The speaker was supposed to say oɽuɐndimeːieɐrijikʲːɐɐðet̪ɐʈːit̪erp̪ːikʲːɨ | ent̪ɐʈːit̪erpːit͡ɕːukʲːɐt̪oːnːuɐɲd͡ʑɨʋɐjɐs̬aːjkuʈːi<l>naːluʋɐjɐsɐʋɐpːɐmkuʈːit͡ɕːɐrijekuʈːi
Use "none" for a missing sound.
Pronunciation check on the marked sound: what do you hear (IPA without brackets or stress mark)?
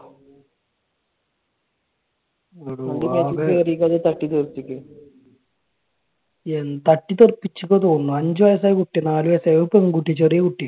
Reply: none